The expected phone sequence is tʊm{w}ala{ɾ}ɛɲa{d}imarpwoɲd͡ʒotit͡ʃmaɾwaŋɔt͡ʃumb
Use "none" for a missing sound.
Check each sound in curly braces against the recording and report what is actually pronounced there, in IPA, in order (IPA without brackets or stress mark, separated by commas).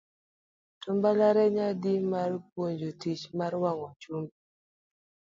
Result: b, ɾ, d